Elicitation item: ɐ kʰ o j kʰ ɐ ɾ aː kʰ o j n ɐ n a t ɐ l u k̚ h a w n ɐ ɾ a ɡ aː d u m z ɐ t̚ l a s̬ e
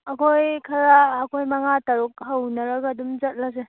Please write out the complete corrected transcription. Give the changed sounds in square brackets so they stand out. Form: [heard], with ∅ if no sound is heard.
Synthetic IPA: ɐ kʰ o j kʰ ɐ ɾ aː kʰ o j [m] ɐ [ŋ] a t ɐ [ɾ] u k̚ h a w n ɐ ɾ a ɡ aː d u m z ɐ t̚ l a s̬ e